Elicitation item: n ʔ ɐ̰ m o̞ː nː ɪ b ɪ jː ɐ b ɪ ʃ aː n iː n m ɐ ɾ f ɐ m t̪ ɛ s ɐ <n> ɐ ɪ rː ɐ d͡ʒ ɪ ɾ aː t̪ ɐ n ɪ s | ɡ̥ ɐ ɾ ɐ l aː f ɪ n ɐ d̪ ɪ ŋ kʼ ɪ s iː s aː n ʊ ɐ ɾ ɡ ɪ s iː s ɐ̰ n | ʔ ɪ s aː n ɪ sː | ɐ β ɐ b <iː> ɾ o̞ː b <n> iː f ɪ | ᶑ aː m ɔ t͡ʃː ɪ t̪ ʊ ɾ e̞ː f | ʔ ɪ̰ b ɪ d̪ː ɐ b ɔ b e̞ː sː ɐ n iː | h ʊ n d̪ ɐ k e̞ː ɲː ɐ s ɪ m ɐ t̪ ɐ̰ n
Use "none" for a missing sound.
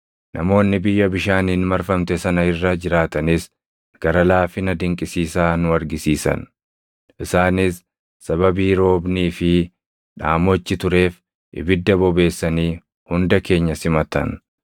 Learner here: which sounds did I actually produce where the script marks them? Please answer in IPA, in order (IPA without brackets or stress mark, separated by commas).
n, iː, n